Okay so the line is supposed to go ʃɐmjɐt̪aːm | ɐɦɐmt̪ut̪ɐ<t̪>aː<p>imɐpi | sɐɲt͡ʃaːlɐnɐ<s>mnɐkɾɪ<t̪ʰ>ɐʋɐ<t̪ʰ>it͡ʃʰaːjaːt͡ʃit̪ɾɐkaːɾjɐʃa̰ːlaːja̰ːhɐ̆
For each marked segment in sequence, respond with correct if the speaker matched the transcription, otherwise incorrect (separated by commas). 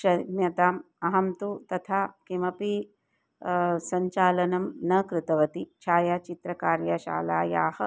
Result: incorrect, incorrect, incorrect, incorrect, incorrect